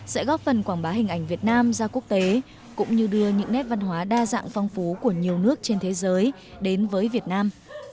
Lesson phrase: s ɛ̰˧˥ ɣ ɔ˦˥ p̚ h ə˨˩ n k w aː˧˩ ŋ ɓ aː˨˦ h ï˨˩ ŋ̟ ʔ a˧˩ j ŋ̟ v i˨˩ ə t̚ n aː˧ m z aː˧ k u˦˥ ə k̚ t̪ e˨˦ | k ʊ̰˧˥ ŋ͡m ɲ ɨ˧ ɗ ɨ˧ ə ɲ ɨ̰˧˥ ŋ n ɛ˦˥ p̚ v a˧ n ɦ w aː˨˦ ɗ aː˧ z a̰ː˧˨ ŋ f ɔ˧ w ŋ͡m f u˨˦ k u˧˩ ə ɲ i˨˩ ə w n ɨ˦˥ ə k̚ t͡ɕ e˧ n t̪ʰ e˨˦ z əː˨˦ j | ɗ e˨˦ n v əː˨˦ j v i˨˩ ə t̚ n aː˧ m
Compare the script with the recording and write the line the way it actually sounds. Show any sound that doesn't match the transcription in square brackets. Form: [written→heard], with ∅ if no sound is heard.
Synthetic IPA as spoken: s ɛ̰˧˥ ɣ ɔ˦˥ p̚ [h→f] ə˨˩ n k w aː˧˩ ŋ ɓ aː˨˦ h ï˨˩ ŋ̟ ʔ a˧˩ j ŋ̟ v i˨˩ ə t̚ n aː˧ m z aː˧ k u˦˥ ə k̚ t̪ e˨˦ | k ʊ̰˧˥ ŋ͡m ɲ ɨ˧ ɗ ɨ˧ ə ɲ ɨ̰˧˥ ŋ n ɛ˦˥ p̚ v a˧ n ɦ w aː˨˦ ɗ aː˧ z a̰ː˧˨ ŋ f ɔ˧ w ŋ͡m f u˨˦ k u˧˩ ə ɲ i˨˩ ə w n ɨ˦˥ ə k̚ t͡ɕ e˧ n t̪ʰ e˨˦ z əː˨˦ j | ɗ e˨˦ n v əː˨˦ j v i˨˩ ə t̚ n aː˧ m

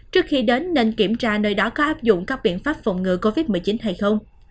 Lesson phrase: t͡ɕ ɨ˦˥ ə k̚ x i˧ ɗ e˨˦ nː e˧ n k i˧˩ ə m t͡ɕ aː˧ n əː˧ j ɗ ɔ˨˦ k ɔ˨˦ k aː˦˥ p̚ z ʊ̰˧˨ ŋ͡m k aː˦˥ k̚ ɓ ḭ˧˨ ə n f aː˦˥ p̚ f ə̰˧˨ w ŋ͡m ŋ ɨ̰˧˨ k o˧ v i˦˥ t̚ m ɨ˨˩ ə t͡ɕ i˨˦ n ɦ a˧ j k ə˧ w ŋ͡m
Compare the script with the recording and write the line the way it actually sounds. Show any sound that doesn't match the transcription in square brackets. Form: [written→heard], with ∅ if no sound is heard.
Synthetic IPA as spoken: t͡ɕ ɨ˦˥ ə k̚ x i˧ ɗ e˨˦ nː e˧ n k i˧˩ ə m t͡ɕ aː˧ n əː˧ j ɗ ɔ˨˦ k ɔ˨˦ [k→ʔ] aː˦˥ p̚ z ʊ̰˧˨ ŋ͡m k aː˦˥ k̚ ɓ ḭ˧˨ ə n f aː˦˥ p̚ f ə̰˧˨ w ŋ͡m ŋ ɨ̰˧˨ k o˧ v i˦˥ t̚ m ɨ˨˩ ə t͡ɕ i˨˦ n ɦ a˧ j [k→x] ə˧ w ŋ͡m

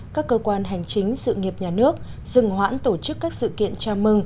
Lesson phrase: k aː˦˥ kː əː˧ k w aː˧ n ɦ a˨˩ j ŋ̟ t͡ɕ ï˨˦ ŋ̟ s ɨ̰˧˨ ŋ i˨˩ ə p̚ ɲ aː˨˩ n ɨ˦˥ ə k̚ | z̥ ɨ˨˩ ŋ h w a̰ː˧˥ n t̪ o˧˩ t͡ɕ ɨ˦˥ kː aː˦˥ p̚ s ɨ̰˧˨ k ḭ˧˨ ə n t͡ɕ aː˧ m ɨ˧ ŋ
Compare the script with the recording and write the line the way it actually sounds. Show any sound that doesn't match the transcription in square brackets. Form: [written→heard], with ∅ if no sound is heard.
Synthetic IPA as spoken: k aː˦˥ kː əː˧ k w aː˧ n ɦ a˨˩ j ŋ̟ t͡ɕ ï˨˦ ŋ̟ s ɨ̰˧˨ ŋ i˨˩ ə p̚ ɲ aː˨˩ n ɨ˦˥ ə k̚ | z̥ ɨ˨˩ ŋ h w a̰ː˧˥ n t̪ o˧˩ t͡ɕ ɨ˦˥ kː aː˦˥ [p̚→k̚] s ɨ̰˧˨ k ḭ˧˨ ə n t͡ɕ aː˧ m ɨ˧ ŋ

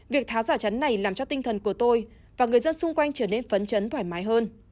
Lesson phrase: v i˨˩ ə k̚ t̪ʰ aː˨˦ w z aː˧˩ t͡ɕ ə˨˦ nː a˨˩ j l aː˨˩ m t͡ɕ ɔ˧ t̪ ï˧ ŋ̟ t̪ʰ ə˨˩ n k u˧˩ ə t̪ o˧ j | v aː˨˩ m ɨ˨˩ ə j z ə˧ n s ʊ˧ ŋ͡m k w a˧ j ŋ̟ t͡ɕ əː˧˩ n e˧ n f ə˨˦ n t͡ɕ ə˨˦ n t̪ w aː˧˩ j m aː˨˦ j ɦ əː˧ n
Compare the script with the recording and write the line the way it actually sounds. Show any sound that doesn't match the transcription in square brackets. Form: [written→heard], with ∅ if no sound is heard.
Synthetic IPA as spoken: v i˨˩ ə k̚ t̪ʰ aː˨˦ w z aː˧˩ t͡ɕ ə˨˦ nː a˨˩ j l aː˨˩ m t͡ɕ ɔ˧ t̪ ï˧ ŋ̟ t̪ʰ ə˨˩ n k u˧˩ ə t̪ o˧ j | v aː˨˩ [m→ŋ] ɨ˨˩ ə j z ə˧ n s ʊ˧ ŋ͡m k w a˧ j ŋ̟ t͡ɕ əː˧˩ n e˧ n f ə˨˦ n t͡ɕ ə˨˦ n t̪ w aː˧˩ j m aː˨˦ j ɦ əː˧ n

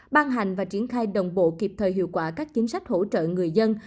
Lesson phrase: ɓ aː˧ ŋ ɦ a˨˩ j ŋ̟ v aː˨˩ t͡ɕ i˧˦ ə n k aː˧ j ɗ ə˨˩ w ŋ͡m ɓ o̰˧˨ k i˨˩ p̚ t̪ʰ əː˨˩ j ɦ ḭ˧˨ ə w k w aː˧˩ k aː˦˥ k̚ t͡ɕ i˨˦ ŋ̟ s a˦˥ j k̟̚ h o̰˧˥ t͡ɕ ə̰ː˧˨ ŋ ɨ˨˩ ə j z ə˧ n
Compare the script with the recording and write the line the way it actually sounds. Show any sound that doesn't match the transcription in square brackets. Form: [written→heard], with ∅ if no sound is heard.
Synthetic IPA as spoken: ɓ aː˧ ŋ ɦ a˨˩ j ŋ̟ v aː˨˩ t͡ɕ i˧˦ ə n [k→x] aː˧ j ɗ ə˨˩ w ŋ͡m ɓ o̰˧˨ k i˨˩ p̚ t̪ʰ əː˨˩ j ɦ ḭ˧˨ ə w k w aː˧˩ k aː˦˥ k̚ t͡ɕ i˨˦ ŋ̟ s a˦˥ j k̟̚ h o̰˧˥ t͡ɕ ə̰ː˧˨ ŋ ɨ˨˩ ə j z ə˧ n

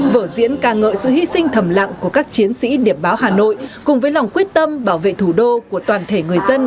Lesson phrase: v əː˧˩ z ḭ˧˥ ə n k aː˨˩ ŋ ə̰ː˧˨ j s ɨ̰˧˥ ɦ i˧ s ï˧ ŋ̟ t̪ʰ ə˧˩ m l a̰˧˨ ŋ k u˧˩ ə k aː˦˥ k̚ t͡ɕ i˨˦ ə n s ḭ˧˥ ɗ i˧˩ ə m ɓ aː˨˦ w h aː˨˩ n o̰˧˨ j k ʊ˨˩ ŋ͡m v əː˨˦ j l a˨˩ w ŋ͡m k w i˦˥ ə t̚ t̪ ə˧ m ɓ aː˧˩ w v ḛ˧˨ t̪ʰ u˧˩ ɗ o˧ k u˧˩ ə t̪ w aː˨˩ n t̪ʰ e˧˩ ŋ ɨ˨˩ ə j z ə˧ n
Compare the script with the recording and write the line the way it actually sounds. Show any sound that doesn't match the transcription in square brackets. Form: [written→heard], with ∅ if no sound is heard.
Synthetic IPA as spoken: v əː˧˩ z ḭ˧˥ ə n k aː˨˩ ŋ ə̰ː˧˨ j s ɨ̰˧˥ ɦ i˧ s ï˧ ŋ̟ t̪ʰ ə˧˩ m l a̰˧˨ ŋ k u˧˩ ə k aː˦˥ k̚ t͡ɕ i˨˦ ə n s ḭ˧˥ ɗ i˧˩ ə m ɓ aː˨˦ w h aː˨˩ n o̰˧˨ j k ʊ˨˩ ŋ͡m v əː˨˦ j l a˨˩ w ŋ͡m k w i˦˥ ə t̚ t̪ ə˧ m ɓ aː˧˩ w v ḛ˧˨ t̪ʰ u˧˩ ɗ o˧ k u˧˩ ə t̪ w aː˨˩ n t̪ʰ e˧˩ ŋ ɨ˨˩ ə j z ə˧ n

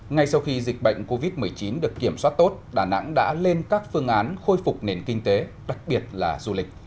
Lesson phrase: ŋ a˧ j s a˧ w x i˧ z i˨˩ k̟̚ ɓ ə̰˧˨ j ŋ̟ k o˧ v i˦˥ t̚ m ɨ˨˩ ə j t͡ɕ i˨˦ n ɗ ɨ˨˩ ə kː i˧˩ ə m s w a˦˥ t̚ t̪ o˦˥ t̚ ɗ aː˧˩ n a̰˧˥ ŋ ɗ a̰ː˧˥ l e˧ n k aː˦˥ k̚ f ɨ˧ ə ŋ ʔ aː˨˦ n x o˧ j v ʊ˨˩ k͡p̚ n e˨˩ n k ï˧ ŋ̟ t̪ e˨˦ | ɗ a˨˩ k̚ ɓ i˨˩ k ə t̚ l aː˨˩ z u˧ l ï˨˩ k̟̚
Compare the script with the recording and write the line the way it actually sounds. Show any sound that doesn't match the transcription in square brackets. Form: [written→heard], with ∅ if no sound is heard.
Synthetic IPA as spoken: ŋ a˧ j s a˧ w x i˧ z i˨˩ k̟̚ ɓ ə̰˧˨ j ŋ̟ k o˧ v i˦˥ t̚ m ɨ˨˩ ə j t͡ɕ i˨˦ n ɗ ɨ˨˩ ə kː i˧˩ ə m s w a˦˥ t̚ t̪ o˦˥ t̚ ɗ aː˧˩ n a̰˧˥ ŋ ɗ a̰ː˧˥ l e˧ n k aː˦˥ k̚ f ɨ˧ ə ŋ ʔ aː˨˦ n x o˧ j [v→f] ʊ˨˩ k͡p̚ n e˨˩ n k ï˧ ŋ̟ t̪ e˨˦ | ɗ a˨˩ k̚ ɓ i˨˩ [k→∅] ə t̚ l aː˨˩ z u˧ l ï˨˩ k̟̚

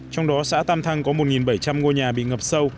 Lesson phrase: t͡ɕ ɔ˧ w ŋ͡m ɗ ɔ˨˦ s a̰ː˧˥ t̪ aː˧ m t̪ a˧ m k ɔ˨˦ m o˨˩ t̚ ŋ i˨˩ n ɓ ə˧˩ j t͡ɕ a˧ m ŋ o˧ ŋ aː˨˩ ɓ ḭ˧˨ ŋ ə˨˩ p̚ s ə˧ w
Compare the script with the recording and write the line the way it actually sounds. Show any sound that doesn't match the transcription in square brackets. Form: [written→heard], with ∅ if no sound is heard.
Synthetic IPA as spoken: t͡ɕ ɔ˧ w ŋ͡m ɗ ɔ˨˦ s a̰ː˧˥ t̪ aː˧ m [t̪→t̪ʰ] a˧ [m→ŋ] k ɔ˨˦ m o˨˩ t̚ ŋ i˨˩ n ɓ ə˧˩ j t͡ɕ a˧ m ŋ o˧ [ŋ→ɲ] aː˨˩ ɓ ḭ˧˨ ŋ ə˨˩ p̚ s ə˧ w

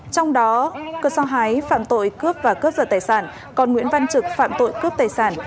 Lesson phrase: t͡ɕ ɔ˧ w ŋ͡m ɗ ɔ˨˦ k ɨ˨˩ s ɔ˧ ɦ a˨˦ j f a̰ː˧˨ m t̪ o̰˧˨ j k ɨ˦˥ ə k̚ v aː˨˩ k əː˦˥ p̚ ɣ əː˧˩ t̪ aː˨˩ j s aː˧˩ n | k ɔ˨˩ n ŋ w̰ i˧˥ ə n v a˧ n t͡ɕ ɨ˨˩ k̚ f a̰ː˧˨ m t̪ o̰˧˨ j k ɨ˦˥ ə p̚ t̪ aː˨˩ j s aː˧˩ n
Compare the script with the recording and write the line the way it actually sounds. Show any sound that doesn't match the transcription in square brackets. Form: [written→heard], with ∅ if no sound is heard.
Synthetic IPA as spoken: t͡ɕ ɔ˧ w ŋ͡m ɗ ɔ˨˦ k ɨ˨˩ s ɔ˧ ɦ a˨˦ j f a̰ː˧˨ m t̪ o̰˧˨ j k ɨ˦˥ ə [k̚→p̚] v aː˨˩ k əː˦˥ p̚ [ɣ→z] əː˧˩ t̪ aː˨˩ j s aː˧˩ n | k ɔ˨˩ n ŋ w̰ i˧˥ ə n v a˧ n t͡ɕ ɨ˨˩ k̚ f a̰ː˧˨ m t̪ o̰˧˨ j k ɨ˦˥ ə p̚ t̪ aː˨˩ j s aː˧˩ n

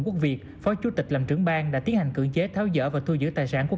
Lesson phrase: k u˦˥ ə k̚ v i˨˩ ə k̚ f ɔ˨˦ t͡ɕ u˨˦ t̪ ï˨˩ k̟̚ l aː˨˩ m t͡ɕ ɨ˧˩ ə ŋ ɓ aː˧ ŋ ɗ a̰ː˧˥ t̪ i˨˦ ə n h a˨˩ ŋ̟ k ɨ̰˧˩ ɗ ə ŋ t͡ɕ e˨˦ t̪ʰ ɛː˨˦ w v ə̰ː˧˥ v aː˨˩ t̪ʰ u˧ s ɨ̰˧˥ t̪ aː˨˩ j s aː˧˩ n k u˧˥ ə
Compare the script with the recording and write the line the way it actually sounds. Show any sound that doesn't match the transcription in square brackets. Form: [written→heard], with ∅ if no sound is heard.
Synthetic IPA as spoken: k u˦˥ ə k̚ v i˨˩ ə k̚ f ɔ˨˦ t͡ɕ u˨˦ t̪ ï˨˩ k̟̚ l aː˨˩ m t͡ɕ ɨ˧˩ ə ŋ ɓ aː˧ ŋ ɗ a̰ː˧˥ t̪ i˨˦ ə n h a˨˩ ŋ̟ k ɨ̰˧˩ [ɗ→∅] ə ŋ t͡ɕ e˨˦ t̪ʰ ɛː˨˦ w [v→z] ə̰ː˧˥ v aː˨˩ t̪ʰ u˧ [s→z] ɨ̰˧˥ t̪ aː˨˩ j s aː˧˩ n k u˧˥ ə

